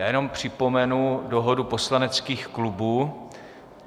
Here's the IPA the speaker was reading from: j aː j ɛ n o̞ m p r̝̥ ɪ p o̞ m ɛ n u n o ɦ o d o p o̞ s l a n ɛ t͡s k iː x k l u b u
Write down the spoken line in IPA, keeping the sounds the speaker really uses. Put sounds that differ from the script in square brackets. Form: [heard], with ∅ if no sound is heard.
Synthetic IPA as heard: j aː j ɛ n o̞ m p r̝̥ ɪ p o̞ m ɛ n u [d] o ɦ o d [u] p o̞ s l a n ɛ t͡s k iː x k l u b [uː]